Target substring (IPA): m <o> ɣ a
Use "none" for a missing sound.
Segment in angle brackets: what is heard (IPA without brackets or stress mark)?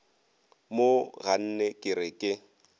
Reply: o